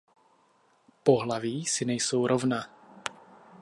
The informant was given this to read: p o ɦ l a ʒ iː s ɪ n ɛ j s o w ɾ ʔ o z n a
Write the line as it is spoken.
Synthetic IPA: p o ɦ l a v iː s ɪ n ɛ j s o w ɾ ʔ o v n a